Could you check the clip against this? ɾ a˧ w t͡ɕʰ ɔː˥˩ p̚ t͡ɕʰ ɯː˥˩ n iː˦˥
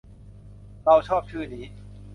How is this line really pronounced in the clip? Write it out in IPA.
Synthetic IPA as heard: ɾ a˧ w t͡ɕʰ ɔː˥˩ p̚ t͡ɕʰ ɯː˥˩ n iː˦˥